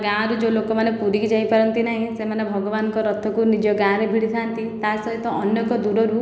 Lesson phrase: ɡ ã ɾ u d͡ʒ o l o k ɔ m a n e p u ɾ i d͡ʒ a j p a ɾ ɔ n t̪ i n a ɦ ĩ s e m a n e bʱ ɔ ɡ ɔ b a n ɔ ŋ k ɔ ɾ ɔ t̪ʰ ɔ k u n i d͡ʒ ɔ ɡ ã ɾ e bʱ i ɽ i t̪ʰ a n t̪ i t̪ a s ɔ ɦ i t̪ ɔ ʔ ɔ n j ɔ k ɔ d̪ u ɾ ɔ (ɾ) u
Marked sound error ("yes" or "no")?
no